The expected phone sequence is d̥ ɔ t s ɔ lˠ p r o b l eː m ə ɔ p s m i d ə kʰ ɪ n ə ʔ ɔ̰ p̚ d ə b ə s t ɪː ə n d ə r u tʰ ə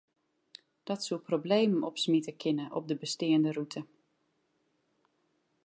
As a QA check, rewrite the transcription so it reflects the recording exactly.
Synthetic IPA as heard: d̥ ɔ t s u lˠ p r o b l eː m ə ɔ p s m i t ə kʰ ɪ n ə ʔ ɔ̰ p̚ d ə b ə s t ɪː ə n d ə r u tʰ ə